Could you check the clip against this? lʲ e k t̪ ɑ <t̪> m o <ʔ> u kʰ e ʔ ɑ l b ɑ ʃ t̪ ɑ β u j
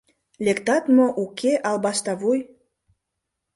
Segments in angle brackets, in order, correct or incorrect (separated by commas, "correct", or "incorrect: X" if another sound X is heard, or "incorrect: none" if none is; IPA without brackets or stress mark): correct, correct